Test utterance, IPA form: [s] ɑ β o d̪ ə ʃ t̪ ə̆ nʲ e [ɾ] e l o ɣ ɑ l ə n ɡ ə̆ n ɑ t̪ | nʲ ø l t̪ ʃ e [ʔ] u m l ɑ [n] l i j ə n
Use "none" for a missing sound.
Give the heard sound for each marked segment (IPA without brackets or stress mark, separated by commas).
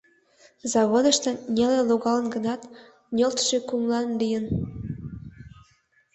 z, l, k, n